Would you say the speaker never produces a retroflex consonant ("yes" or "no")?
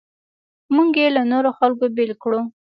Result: no